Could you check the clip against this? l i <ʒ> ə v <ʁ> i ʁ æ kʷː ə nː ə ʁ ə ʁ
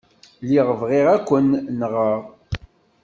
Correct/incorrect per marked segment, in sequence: incorrect, correct

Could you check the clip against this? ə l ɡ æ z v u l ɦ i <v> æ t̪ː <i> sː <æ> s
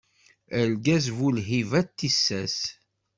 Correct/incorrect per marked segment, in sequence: correct, correct, correct

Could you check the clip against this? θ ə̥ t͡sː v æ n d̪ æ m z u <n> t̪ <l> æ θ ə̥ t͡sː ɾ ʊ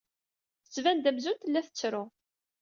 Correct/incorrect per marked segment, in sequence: correct, incorrect

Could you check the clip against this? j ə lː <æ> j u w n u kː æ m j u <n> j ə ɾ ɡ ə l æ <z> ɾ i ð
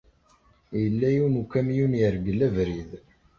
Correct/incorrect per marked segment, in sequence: correct, correct, incorrect

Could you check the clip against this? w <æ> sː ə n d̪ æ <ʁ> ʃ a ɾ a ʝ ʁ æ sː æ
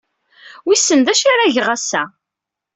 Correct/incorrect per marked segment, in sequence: incorrect, incorrect

